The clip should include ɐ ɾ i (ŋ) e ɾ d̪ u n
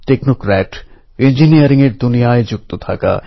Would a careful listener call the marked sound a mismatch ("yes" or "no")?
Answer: no